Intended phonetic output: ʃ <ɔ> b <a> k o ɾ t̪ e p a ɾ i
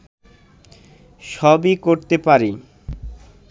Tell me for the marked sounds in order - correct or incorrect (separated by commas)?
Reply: correct, incorrect